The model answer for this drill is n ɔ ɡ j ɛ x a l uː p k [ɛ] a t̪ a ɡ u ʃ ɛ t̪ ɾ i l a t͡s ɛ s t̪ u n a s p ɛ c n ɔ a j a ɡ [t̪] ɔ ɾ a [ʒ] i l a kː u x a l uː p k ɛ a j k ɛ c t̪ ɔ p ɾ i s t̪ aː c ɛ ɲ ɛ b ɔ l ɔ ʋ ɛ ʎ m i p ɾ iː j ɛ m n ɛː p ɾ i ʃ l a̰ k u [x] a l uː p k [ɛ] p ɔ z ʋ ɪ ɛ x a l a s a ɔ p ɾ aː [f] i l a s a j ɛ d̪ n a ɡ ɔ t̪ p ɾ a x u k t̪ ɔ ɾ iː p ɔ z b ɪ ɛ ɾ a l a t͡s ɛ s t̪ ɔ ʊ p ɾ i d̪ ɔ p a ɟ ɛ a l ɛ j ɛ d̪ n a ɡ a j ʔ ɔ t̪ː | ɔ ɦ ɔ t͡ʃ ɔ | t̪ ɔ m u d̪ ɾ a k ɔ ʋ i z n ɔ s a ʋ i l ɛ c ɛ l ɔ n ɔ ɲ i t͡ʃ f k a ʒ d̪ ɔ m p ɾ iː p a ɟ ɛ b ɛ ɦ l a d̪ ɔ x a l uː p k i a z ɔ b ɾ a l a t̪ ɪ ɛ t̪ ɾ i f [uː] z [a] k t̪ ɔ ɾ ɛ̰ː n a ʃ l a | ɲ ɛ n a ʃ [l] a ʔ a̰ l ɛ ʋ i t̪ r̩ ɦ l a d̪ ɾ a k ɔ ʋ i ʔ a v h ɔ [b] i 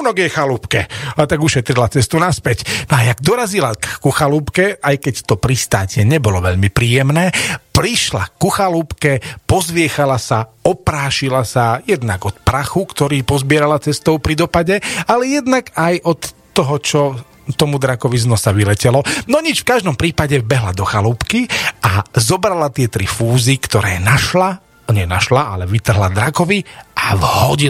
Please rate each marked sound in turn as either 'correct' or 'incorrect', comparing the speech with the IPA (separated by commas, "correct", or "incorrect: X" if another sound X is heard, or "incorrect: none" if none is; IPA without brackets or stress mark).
correct, incorrect: d̪, incorrect: z, correct, correct, incorrect: ʃ, correct, incorrect: i, correct, incorrect: ɟ